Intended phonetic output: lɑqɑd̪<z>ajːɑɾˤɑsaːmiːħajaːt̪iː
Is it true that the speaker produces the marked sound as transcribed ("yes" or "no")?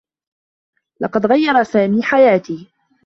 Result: no